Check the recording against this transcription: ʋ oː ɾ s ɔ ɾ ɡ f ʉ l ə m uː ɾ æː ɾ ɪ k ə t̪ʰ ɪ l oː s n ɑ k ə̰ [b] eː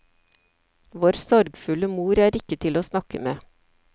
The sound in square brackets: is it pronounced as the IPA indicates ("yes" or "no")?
no